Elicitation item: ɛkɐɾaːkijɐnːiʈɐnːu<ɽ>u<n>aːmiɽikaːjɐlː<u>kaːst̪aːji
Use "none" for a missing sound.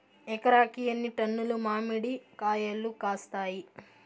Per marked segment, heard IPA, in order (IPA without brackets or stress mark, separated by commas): l, m, u